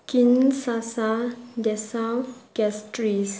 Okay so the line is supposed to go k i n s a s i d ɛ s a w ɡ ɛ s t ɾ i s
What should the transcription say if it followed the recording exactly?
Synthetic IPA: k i n s a s a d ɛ s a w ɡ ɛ s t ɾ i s

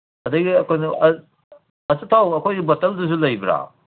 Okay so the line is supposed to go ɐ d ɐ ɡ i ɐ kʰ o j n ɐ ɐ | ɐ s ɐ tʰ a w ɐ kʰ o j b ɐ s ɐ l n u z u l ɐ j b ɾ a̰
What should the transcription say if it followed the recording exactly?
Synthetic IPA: ɐ d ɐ ɡ i ɐ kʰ o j n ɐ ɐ | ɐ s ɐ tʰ a w ɐ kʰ o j b ɐ t ɐ l d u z u l ɐ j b ɾ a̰

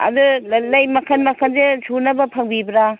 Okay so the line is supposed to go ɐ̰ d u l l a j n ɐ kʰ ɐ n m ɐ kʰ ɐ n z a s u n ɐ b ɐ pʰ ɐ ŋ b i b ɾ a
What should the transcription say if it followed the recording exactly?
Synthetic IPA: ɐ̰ d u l l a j m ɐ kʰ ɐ n m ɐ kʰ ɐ n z e s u n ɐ b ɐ pʰ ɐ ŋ b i b ɾ a

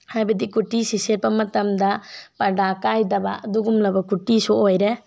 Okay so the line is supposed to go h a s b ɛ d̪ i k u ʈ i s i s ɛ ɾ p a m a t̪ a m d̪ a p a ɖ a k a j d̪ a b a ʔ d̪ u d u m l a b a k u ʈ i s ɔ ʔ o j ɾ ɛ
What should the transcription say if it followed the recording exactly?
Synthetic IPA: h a b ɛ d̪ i k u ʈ i s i s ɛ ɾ p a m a t̪ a m d̪ a p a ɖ a k a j d̪ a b a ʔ d̪ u ɡ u m l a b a k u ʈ i s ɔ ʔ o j ɾ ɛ

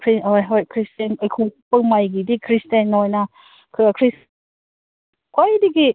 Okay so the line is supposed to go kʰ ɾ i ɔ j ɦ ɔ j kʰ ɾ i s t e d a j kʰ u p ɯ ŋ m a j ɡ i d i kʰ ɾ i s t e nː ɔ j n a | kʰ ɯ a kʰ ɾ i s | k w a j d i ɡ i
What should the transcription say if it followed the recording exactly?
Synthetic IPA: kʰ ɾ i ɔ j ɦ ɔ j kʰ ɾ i s t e n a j kʰ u p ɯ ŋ m a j ɡ i d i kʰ ɾ i s t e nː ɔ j n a | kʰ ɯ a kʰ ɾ i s | k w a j d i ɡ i

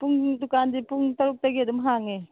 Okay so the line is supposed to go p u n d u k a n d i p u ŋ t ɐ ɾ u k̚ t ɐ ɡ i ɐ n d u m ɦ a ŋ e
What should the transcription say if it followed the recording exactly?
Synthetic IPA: p u ŋ d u k a n d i p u ŋ t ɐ ɾ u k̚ t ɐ ɡ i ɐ d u m ɦ a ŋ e

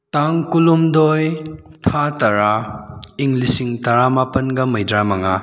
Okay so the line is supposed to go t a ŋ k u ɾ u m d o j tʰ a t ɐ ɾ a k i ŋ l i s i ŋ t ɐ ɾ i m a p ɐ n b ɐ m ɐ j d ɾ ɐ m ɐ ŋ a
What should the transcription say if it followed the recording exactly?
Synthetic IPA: t a ŋ k u l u m d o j tʰ a t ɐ ɾ a i ŋ l i s i ŋ t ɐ ɾ a m a p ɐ n ɡ ɐ m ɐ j d ɾ a m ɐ ŋ a

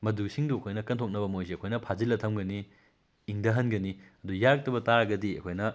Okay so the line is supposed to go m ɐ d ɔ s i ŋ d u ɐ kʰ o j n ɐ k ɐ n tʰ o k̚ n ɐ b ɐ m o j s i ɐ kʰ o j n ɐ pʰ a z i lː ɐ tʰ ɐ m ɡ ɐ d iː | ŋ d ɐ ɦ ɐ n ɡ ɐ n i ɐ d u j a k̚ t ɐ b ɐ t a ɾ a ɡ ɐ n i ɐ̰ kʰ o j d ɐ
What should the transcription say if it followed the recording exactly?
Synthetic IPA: m ɐ d u s i ŋ d u ɐ kʰ o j n ɐ k ɐ n tʰ o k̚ n ɐ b ɐ m o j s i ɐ kʰ o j n ɐ pʰ a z i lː ɐ tʰ ɐ m ɡ ɐ n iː | ŋ d ɐ ɦ ɐ n ɡ ɐ n i ɐ d u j a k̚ t ɐ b ɐ t a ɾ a ɡ ɐ d i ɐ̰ kʰ o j n ɐ

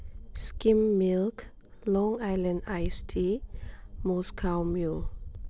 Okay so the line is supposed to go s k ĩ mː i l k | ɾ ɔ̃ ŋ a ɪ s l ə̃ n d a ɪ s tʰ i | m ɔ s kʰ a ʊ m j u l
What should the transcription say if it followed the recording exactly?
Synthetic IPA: s k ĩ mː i l k | l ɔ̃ ŋ a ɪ l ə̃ n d a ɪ s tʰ i | m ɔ s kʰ a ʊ m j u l

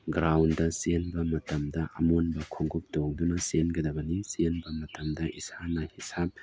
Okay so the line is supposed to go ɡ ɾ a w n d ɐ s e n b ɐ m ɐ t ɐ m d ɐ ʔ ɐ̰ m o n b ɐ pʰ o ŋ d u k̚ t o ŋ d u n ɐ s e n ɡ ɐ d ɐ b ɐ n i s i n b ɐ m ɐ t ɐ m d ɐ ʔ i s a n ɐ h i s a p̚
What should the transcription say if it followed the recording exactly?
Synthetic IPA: ɡ ɾ a w n d ɐ s e n b ɐ m ɐ t ɐ m d ɐ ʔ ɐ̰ m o n b ɐ kʰ o ŋ ɡ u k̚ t o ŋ d u n ɐ s e n ɡ ɐ d ɐ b ɐ n i s e n b ɐ m ɐ t ɐ m d ɐ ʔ i s a n ɐ h i s a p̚

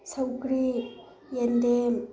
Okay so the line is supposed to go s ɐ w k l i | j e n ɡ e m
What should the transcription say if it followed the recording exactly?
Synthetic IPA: s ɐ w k ɾ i | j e n d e m

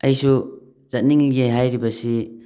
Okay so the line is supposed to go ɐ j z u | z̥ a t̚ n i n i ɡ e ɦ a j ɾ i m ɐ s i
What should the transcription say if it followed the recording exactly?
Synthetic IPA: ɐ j s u | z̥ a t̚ n i ŋ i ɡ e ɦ a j ɾ i b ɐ s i

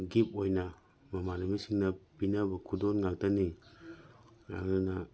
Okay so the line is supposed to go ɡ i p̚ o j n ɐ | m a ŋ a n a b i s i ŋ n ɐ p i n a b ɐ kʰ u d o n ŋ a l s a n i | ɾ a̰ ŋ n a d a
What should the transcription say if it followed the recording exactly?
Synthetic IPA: ɡ i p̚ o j n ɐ | m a m a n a m i s i ŋ n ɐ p i n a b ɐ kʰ u d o n ŋ a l t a n i | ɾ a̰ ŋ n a n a

